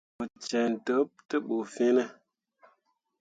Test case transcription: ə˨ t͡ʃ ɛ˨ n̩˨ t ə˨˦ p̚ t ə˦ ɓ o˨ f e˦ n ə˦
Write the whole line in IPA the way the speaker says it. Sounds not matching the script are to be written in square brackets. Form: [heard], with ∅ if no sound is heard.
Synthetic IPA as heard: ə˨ t͡ʃ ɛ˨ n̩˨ t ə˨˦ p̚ t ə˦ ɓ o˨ f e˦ n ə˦